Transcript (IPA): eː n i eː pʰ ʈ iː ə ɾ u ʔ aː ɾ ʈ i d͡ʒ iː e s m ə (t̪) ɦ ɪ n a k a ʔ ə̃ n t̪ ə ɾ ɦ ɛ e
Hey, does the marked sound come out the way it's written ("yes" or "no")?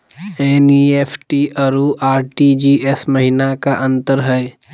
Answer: no